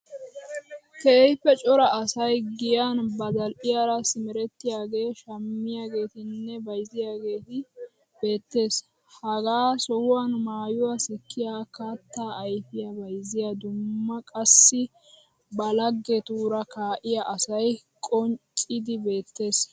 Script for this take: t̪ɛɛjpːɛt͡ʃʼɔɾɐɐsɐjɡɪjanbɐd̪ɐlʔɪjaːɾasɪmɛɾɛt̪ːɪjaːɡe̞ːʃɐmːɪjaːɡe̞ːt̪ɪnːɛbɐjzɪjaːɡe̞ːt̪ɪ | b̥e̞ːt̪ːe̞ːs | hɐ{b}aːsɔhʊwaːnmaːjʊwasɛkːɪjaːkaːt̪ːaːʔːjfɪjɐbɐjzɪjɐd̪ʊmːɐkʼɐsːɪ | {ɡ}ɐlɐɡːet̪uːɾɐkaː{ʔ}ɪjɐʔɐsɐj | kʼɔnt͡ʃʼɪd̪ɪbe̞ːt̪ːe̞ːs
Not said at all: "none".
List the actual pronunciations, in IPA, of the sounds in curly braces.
ɡ, b, ʔ

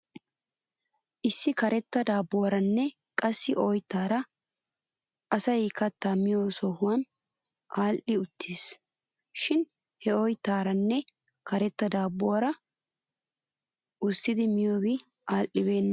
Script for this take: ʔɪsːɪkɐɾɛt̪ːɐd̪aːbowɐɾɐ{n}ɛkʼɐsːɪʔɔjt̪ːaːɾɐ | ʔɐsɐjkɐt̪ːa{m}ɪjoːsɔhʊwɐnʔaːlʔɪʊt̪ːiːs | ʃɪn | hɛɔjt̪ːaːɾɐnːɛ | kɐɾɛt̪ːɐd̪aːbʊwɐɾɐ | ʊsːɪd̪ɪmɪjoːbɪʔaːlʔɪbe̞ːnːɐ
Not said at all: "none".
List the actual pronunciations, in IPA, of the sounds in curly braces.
nː, m

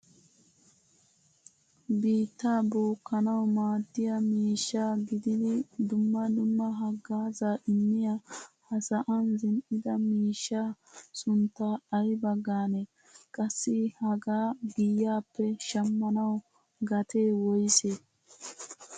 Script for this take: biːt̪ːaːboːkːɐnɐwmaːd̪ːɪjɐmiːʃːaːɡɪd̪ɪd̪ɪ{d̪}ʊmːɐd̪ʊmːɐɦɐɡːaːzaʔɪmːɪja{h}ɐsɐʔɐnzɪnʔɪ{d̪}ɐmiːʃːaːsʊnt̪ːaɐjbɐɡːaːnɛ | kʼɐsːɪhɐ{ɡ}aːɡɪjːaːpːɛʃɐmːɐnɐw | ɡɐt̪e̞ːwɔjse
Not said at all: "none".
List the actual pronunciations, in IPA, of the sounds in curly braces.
d̪, h, d̪, ɡ

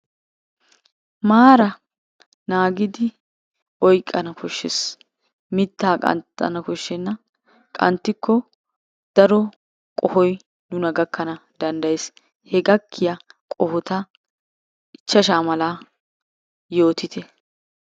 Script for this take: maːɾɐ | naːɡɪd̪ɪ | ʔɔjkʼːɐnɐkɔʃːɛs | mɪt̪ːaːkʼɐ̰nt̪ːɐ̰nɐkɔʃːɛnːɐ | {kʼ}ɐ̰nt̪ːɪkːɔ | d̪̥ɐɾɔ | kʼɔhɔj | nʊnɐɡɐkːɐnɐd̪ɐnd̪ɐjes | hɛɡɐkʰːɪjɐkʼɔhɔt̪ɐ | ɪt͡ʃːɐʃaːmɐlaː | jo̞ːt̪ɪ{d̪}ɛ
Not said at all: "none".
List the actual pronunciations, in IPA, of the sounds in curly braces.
kʼ, t̪

